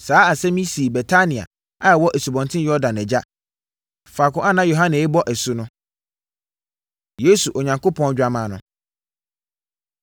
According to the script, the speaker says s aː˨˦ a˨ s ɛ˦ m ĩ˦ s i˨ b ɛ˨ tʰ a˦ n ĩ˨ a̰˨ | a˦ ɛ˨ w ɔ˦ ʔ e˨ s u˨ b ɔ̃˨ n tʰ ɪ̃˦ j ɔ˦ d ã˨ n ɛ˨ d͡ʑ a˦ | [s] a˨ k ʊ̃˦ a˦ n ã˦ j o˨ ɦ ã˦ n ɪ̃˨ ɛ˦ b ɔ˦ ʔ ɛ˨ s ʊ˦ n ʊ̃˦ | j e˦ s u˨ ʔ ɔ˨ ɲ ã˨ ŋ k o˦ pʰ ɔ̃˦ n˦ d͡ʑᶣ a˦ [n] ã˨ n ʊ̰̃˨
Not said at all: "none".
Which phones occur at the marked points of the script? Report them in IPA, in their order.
f, m

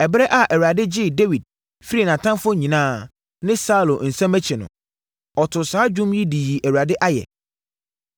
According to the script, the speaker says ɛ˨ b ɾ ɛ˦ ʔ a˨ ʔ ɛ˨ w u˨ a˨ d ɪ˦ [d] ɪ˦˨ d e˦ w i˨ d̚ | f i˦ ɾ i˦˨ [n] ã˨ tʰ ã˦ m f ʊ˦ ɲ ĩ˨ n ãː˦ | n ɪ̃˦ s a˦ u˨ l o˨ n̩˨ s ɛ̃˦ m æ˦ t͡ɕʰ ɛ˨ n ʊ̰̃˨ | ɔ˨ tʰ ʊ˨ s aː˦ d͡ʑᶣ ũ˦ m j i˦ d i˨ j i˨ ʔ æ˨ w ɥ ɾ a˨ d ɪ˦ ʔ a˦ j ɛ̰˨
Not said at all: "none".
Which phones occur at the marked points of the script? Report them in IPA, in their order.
d͡ʑ, n

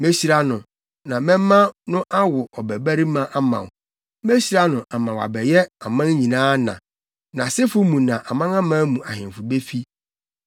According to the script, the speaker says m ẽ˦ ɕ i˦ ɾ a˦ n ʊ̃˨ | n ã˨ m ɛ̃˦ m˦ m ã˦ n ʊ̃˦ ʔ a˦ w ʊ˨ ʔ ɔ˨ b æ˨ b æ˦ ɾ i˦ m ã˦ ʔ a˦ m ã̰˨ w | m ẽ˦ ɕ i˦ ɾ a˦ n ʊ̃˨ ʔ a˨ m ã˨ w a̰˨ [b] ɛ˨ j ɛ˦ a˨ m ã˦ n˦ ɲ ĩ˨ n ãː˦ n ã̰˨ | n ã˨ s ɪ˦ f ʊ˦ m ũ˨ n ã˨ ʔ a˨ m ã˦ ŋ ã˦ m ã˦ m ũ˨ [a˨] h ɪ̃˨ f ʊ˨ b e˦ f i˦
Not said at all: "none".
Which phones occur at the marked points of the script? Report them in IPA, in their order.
b, a˨

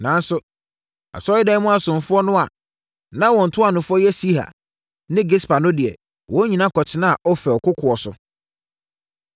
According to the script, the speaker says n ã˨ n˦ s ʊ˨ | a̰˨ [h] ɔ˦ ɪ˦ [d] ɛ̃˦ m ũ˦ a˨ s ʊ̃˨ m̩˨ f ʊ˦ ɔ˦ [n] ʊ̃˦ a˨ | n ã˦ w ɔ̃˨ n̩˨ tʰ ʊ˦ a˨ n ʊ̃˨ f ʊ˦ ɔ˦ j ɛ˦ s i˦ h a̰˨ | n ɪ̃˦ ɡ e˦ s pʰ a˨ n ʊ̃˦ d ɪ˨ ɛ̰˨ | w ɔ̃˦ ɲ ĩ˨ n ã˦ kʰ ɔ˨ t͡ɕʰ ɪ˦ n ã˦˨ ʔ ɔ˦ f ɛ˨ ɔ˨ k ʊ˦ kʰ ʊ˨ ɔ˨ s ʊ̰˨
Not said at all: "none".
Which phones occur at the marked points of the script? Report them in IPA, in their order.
s, d, n

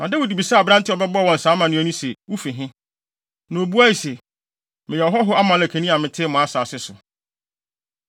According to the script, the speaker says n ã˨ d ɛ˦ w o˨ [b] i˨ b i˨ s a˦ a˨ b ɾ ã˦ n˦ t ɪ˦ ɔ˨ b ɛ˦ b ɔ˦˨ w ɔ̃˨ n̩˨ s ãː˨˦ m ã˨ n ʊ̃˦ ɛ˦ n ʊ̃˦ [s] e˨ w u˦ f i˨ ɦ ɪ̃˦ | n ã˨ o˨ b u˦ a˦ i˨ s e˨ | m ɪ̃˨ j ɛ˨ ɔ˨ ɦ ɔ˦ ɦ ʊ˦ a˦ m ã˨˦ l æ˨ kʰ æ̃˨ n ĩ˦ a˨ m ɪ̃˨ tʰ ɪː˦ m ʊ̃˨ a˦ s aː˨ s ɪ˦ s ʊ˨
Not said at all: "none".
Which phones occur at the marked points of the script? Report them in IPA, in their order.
d, s

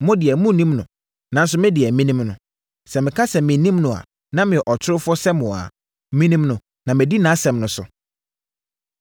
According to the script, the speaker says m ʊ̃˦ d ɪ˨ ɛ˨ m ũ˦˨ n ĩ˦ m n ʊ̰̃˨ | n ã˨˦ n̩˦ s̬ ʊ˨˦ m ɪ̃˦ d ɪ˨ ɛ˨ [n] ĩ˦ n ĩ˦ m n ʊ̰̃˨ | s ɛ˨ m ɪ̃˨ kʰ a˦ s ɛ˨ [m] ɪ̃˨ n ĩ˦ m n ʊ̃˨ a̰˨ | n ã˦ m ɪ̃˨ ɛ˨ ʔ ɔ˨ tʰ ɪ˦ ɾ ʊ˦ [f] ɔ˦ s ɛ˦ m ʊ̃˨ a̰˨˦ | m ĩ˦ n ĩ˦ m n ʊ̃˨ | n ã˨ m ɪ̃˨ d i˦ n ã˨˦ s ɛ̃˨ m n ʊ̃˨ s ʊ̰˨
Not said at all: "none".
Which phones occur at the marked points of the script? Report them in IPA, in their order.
m, m, f

